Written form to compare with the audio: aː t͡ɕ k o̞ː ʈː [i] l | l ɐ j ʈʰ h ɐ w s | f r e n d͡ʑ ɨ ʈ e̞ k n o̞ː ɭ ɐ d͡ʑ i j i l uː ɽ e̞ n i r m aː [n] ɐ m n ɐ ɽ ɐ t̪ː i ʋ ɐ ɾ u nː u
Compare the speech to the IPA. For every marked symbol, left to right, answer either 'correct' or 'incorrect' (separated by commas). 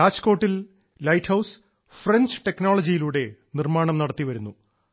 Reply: correct, incorrect